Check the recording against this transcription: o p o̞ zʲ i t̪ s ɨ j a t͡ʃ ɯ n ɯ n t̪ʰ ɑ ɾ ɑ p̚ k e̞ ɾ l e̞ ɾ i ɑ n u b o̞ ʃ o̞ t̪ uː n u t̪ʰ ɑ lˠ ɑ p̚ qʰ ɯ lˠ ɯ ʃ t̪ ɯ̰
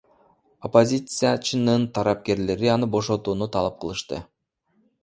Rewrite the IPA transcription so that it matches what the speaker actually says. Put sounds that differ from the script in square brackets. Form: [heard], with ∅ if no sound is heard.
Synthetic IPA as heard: o p o̞ zʲ i t̪ s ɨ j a t͡ʃ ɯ n ɯ n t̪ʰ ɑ ɾ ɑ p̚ k e̞ ɾ l e̞ ɾ i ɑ n [ɯ] b o̞ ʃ o̞ t̪ uː n u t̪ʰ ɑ lˠ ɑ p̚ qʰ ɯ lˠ ɯ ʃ t̪ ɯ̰